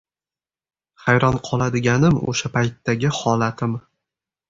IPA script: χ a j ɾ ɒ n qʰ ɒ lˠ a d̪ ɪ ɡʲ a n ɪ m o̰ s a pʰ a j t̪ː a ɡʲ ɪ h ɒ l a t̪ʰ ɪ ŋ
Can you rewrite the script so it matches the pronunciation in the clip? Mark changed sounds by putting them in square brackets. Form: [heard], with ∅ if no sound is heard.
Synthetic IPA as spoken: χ a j ɾ ɒ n qʰ ɒ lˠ a d̪ ɪ ɡʲ a n ɪ m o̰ [ʃ] a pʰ a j t̪ː a ɡʲ ɪ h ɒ l a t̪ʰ ɪ [m]